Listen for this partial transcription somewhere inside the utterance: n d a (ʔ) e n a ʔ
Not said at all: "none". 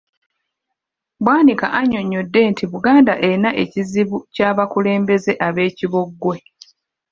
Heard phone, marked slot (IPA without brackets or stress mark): ʔ